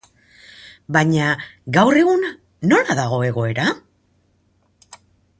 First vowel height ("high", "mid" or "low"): low